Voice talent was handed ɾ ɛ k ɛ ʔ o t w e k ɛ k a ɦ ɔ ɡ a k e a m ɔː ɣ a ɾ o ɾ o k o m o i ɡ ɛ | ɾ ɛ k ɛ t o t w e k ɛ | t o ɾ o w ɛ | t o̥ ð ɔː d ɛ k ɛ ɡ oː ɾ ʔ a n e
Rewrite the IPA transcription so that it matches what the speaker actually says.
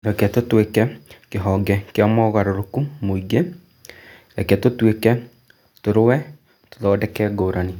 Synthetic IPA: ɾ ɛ k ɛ t o t w e k ɛ k e ɦ ɔ ɡ ɛ k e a m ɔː ɣ a ɾ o ɾ o k u m o i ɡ e | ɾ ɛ k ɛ t o t w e k ɛ | t o ɾ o w ɛ | t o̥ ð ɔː d ɛ k ɛ ɡ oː ɾ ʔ a n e